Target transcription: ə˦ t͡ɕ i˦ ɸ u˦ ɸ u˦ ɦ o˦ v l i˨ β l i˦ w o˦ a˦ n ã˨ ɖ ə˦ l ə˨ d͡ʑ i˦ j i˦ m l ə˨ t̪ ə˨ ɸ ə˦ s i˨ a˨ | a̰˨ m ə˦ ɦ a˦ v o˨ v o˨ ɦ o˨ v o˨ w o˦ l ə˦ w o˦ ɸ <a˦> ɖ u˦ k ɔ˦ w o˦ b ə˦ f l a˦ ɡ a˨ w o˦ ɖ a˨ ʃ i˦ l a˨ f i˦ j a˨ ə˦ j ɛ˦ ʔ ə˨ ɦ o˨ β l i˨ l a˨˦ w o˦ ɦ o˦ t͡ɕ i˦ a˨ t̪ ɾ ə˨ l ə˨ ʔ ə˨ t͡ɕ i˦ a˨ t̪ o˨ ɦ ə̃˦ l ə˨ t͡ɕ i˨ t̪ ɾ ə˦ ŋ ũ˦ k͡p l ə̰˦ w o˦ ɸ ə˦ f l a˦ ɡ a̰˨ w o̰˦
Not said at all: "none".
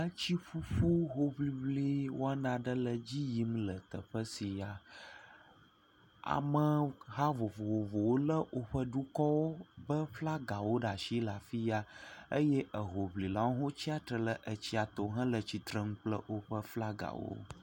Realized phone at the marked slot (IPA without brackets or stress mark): ə˦